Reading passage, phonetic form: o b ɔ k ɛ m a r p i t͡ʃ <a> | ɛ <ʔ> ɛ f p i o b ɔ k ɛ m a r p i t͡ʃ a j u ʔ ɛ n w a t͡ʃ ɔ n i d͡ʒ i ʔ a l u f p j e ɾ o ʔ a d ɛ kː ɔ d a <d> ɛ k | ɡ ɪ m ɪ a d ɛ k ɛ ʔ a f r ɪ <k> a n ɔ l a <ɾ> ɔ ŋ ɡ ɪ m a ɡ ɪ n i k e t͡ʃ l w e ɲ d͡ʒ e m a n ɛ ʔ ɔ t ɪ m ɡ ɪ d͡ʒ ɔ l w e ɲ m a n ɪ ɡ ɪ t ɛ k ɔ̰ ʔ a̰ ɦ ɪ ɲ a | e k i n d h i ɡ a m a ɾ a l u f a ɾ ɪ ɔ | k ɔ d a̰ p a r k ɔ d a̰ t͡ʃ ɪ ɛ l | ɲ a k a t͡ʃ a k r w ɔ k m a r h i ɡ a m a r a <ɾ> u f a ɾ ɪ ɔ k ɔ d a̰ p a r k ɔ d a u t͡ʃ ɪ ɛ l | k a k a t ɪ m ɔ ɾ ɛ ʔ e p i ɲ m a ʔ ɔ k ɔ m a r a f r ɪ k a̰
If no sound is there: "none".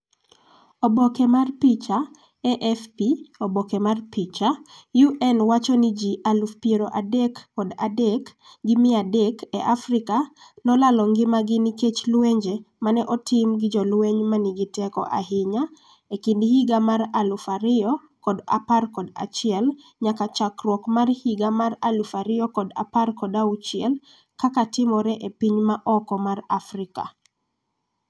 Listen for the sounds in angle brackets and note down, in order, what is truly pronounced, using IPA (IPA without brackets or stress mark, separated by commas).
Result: a, ʔ, d, k, l, l